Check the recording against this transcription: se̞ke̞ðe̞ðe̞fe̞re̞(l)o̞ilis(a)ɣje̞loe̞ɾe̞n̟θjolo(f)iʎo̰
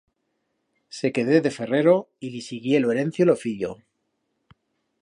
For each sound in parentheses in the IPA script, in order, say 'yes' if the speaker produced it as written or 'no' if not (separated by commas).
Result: no, no, yes